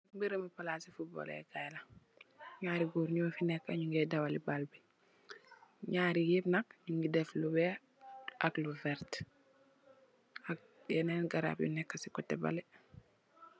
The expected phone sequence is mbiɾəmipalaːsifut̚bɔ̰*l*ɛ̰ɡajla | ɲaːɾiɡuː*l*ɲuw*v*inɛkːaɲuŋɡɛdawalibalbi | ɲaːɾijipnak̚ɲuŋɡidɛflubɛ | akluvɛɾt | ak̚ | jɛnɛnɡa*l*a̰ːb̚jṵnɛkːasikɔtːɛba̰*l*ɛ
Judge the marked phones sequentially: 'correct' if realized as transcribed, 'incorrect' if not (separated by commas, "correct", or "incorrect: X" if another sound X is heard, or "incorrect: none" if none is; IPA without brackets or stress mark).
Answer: correct, incorrect: ɾ, incorrect: f, incorrect: ɾ, correct